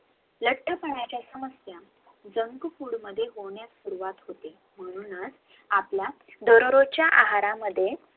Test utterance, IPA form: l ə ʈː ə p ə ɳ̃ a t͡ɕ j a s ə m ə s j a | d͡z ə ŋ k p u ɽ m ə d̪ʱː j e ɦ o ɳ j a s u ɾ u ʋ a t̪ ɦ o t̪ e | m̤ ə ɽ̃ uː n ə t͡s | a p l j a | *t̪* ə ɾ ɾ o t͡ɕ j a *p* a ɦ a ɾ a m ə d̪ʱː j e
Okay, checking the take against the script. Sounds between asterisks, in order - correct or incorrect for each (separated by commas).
incorrect, incorrect